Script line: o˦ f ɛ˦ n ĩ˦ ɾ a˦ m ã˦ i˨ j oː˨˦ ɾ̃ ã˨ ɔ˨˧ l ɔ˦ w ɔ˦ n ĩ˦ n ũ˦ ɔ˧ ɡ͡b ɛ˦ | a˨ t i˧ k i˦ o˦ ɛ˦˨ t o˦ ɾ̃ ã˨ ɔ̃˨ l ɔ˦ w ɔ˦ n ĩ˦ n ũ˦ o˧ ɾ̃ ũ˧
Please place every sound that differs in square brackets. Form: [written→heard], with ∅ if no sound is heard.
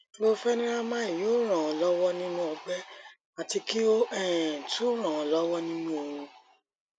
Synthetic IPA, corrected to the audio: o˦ f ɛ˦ n ĩ˦ ɾ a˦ m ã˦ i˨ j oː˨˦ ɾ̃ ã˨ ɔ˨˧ l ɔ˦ w ɔ˦ n ĩ˦ n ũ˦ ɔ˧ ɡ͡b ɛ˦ | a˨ t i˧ k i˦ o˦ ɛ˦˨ t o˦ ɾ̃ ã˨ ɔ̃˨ l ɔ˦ w ɔ˦ n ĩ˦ n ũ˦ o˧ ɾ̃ ũ˧